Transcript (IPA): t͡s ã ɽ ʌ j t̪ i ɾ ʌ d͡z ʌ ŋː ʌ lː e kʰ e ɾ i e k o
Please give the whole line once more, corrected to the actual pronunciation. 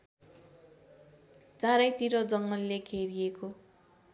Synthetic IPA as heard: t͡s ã ɾ ʌ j t̪ i ɾ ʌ d͡z ʌ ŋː ʌ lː e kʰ e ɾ i e k o